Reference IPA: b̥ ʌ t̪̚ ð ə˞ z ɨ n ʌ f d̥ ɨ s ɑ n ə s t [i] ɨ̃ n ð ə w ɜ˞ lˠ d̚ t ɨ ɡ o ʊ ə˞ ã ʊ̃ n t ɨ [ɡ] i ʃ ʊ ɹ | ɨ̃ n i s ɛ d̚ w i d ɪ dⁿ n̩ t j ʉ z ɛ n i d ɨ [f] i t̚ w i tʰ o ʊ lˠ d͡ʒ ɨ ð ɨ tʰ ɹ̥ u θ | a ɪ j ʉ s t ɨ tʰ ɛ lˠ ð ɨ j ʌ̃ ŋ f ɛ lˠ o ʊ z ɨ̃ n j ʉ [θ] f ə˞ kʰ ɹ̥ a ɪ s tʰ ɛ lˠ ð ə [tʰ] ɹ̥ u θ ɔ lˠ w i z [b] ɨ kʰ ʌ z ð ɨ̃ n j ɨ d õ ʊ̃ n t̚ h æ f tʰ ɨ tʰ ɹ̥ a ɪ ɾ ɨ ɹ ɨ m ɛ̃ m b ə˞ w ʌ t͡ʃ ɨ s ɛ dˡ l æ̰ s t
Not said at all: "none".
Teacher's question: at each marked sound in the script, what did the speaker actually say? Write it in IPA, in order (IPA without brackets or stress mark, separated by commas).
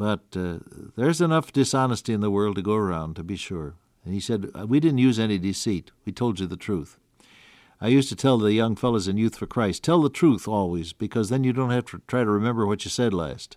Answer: i, b, s, θ, tʰ, b